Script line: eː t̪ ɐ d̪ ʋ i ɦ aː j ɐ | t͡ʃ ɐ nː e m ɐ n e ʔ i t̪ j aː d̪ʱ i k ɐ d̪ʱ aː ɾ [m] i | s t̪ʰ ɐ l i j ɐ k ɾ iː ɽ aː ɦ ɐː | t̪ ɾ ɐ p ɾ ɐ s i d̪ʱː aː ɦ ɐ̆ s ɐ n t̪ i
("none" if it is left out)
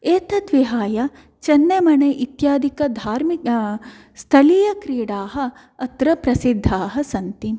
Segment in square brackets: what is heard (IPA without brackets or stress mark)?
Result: m